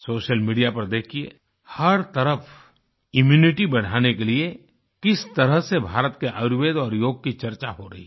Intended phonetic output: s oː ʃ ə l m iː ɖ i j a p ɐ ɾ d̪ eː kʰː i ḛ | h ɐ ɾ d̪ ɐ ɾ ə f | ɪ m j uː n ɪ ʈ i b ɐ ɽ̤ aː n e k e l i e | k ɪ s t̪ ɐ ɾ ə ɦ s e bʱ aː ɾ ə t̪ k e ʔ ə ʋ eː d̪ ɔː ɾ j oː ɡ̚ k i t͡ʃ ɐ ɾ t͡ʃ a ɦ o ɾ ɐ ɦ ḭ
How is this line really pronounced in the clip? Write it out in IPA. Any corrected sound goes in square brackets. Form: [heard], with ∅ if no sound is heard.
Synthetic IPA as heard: s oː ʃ ə l m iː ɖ i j a p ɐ ɾ d̪ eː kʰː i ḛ | h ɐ ɾ [t̪] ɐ ɾ ə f | ɪ m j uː n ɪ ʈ i b ɐ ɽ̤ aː n e k e l i e | k ɪ s t̪ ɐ ɾ ə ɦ s e bʱ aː ɾ ə t̪ k e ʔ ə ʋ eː d̪ ɔː ɾ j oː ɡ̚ k i t͡ʃ ɐ ɾ t͡ʃ a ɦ o ɾ ɐ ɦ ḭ

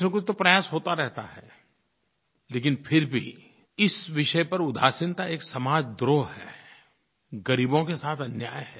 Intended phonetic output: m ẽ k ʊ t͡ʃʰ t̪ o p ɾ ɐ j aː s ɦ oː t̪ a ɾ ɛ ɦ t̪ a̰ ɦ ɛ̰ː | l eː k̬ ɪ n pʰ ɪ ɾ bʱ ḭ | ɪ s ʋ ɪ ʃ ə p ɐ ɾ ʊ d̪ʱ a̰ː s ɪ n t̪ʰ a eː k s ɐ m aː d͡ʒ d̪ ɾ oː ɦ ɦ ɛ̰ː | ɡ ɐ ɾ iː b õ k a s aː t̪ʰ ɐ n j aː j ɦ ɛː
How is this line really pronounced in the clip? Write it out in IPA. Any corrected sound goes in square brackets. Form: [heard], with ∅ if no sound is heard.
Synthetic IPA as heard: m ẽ k ʊ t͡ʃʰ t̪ o p ɾ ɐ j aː s ɦ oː t̪ a ɾ ɛ ɦ t̪ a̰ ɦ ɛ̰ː | l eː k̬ ɪ n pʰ ɪ ɾ bʱ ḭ | ɪ s ʋ ɪ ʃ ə p ɐ ɾ ʊ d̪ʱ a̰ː s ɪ n [t̪] a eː k s ɐ m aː d͡ʒ d̪ ɾ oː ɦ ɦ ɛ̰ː | ɡ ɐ ɾ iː b õ k [e] s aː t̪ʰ ɐ n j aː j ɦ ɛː

